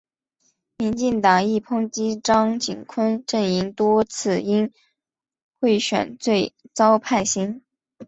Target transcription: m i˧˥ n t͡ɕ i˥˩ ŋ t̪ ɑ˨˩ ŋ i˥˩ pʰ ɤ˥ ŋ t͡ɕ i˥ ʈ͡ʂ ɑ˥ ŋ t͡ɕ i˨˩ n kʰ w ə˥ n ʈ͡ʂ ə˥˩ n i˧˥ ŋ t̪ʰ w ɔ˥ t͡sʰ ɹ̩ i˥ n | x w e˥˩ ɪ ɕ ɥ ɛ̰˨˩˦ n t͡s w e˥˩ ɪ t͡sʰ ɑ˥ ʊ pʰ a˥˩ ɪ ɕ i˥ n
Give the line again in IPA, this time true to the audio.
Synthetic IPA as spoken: m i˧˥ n t͡ɕ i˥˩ ŋ t̪ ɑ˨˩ ŋ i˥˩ pʰ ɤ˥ ŋ t͡ɕ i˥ ʈ͡ʂ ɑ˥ ŋ t͡ɕ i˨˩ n kʰ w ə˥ n ʈ͡ʂ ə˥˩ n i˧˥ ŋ t̪ w ɔ˥ t͡sʰ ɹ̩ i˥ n | x w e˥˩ ɪ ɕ ɥ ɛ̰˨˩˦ n t͡s w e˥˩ ɪ t͡s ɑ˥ ʊ pʰ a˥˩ ɪ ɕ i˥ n

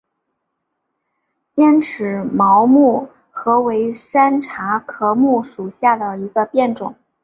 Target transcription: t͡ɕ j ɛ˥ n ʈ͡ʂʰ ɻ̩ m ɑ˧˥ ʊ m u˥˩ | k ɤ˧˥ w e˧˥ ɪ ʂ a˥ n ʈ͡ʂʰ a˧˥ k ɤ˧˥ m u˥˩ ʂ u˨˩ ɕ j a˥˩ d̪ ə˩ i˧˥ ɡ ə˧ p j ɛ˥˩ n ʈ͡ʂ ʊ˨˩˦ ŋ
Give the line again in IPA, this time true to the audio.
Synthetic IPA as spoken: t͡ɕ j ɛ˥ n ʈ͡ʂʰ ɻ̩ m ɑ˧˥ ʊ m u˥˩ | x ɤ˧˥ w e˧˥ ɪ ʂ a˥ n ʈ͡ʂʰ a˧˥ kʰ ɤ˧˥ m u˥˩ ʂ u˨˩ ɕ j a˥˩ d̪ ə˩ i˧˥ ɡ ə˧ p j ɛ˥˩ n ʈ͡ʂ ʊ˨˩˦ ŋ

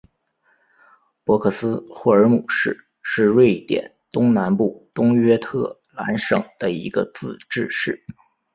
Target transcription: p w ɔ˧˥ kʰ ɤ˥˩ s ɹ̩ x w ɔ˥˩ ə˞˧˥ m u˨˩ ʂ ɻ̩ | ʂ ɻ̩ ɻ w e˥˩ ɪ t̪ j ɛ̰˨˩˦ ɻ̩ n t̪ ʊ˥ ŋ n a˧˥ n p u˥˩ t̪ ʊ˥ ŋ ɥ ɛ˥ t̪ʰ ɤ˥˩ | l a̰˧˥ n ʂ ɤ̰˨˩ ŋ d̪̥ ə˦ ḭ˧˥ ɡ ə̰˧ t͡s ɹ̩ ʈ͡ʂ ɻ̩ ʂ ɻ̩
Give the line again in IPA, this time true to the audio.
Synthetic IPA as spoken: p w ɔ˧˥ kʰ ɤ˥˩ s ɹ̩ x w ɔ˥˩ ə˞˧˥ m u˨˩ ʂ ɻ̩ | ʂ ɻ̩ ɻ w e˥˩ ɪ t̪ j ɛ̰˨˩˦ n t̪ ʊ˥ ŋ n a˧˥ n p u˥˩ t̪ ʊ˥ ŋ ɥ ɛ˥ t̪ʰ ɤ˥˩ | l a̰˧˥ n ʂ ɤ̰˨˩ ŋ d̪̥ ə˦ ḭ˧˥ ɡ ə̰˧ t͡s ɹ̩ ʈ͡ʂ ɻ̩ ʂ ɻ̩

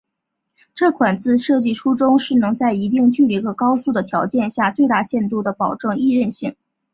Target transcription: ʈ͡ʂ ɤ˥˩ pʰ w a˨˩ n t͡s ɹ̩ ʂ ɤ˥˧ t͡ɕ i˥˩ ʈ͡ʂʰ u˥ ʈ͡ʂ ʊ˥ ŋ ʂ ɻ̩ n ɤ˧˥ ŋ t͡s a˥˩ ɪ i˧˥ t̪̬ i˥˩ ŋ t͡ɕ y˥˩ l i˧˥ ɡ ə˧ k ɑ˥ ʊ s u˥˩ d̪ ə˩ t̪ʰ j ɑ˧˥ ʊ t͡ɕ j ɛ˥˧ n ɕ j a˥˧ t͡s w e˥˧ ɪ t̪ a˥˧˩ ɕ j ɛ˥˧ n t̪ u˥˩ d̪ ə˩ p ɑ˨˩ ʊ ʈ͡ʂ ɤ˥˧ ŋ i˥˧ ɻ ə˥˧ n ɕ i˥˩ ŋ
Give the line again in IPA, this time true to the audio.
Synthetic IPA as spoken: ʈ͡ʂ ɤ˥˩ kʰ w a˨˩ n t͡s ɹ̩ ʂ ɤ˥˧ t͡ɕ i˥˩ ʈ͡ʂʰ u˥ ʈ͡ʂ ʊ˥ ŋ ʂ ɻ̩ n ɤ˧˥ ŋ t͡s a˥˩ ɪ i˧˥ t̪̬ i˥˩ ŋ t͡ɕ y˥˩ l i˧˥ ɡ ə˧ k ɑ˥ ʊ s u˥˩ d̪ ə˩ t̪ʰ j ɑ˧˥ ʊ t͡ɕ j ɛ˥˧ n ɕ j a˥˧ t͡s w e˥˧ ɪ t̪ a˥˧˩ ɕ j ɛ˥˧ n t̪ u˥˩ d̪ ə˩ p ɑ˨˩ ʊ ʈ͡ʂ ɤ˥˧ ŋ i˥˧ ɻ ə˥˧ n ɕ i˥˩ ŋ

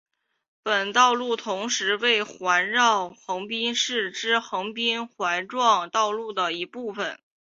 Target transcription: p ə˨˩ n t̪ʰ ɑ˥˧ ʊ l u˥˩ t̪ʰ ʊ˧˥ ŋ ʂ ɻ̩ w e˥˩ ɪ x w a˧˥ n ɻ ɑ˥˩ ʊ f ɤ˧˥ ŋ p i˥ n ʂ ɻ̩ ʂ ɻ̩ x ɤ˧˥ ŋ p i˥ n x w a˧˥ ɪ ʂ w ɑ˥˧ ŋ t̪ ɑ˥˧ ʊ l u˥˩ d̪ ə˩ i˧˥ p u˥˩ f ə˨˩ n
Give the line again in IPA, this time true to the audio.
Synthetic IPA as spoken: p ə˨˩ n t̪ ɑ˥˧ ʊ l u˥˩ t̪ʰ ʊ˧˥ ŋ ʂ ɻ̩ w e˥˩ ɪ x w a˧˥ n ɻ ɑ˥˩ ʊ x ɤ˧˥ ŋ p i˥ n ʂ ɻ̩ ʈ͡ʂ ɻ̩ x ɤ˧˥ ŋ p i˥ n x w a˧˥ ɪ ʈ͡ʂ w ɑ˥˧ ŋ t̪ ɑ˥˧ ʊ l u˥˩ d̪ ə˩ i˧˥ p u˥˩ f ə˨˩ n

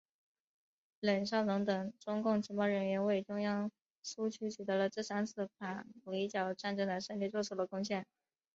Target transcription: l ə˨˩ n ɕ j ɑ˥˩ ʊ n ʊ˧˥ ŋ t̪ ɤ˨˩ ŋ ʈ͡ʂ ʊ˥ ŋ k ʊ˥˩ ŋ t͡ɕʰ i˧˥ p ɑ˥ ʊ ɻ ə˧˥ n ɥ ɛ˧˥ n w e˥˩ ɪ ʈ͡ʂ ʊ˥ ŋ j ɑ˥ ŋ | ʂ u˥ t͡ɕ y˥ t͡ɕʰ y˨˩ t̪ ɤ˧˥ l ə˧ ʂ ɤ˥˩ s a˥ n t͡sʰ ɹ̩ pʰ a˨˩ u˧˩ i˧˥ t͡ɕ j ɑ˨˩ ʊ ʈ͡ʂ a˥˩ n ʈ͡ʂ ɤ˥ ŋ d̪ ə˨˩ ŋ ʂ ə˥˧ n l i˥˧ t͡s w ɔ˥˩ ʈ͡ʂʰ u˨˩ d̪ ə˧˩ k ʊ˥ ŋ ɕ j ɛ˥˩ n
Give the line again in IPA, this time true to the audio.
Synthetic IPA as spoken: l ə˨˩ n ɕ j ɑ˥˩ ʊ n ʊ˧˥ ŋ t̪ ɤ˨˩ ŋ ʈ͡ʂ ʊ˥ ŋ k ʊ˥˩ ŋ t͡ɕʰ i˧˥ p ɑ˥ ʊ ɻ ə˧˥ n ɥ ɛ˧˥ n w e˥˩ ɪ ʈ͡ʂ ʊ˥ ŋ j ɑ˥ ŋ | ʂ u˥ t͡ɕʰ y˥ t͡ɕʰ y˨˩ t̪ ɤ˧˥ l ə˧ ʈ͡ʂ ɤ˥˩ s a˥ n t͡sʰ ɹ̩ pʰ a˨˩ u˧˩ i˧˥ t͡ɕ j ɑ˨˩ ʊ ʈ͡ʂ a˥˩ n ʈ͡ʂ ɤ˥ ŋ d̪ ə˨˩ ʂ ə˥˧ n l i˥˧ t͡s w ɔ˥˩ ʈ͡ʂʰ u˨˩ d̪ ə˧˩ k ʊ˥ ŋ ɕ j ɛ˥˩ n

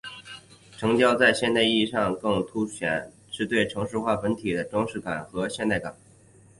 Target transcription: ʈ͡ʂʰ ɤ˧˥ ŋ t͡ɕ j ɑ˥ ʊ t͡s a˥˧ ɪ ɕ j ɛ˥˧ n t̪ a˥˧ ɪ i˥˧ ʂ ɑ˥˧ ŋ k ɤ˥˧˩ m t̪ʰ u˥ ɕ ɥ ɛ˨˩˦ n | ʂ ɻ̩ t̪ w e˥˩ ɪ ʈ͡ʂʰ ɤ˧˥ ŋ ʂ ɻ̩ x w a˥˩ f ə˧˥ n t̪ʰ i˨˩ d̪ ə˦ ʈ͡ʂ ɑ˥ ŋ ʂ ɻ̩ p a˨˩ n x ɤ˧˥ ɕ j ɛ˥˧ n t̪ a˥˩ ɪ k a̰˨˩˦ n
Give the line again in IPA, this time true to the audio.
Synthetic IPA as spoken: ʈ͡ʂʰ ɤ˧˥ ŋ t͡ɕ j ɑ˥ ʊ t͡s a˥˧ ɪ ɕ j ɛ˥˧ n t̪ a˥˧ ɪ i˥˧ ʂ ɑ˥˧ ŋ k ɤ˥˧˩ ŋ t̪ʰ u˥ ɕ ɥ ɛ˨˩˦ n | ʂ ɻ̩ t̪ w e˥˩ ɪ ʈ͡ʂʰ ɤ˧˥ ŋ ʂ ɻ̩ x w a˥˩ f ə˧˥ n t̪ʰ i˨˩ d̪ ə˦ ʈ͡ʂ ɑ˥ ŋ ʂ ɻ̩ k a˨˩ n x ɤ˧˥ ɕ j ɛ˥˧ n t̪ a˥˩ ɪ k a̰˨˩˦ n

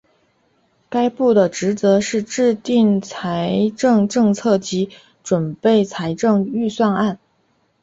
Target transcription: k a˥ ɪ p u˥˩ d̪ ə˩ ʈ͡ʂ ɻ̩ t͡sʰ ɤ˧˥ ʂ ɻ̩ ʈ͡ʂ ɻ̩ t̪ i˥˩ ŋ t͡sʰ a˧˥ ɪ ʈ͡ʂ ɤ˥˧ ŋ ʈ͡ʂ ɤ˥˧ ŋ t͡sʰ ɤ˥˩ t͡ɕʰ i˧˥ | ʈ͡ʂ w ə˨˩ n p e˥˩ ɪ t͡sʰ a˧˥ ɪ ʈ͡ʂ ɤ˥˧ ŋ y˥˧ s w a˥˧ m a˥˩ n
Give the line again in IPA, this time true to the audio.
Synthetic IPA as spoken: k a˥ ɪ p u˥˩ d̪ ə˩ ʈ͡ʂ ɻ̩ t͡s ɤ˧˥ ʂ ɻ̩ ʈ͡ʂ ɻ̩ t̪ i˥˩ ŋ t͡sʰ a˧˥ ɪ ʈ͡ʂ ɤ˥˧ ŋ ʈ͡ʂ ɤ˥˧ ŋ t͡sʰ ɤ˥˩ t͡ɕ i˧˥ | ʈ͡ʂ w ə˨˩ n p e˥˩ ɪ t͡sʰ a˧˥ ɪ ʈ͡ʂ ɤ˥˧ ŋ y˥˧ s w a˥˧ n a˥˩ n

